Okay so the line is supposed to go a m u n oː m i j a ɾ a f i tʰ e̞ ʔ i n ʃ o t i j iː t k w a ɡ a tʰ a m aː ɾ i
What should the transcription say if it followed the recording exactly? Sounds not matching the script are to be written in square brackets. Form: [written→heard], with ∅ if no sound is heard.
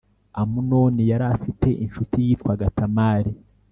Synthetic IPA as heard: a m u n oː [m→n] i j a ɾ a f i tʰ e̞ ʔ i n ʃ [o→u] t i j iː t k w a ɡ a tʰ a m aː ɾ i